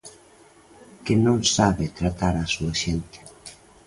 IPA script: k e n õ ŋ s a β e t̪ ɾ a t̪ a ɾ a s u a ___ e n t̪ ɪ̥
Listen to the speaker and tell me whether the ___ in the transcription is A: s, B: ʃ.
B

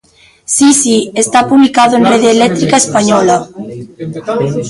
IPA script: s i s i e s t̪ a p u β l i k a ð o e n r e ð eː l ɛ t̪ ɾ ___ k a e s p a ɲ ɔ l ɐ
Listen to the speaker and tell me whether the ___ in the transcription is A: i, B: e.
A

